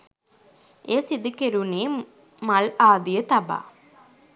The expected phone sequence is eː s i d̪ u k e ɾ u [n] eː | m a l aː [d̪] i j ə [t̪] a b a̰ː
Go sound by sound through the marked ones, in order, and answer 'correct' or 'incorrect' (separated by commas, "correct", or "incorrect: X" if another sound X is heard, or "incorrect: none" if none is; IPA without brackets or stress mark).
correct, correct, correct